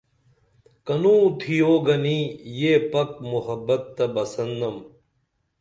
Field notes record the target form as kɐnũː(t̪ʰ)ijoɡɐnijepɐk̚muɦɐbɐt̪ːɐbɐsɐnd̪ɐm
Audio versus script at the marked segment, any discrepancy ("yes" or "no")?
no